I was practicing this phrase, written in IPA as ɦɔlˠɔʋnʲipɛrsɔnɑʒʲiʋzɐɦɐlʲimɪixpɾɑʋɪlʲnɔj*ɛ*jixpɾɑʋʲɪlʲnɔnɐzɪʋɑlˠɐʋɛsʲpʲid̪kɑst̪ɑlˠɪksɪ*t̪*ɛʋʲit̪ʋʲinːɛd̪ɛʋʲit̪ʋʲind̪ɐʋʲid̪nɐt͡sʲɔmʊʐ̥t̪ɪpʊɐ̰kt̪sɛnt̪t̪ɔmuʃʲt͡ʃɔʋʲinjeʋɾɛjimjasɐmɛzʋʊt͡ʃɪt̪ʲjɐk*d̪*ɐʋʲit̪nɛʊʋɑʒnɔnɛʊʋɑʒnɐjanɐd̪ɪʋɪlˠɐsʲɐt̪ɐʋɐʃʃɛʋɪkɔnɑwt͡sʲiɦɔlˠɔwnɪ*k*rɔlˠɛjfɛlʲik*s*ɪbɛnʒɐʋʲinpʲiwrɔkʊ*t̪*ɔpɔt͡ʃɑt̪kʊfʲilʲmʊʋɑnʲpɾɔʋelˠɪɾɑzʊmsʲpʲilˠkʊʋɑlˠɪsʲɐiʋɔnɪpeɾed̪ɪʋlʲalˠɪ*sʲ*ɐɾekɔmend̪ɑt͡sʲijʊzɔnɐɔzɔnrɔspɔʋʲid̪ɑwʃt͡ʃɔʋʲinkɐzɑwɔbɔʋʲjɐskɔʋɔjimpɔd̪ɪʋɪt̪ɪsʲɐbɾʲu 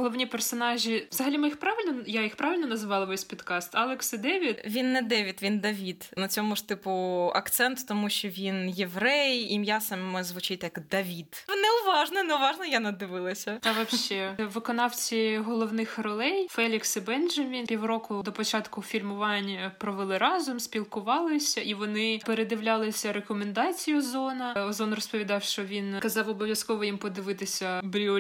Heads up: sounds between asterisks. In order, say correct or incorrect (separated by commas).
incorrect, incorrect, correct, incorrect, correct, incorrect, correct